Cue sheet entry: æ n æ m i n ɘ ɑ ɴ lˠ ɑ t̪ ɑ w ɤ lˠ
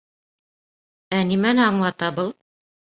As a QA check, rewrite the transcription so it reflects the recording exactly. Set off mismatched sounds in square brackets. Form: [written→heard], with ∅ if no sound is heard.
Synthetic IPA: æ n [æ→i] m [i→æ] n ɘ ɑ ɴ lˠ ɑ t̪ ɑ [w→b] ɤ lˠ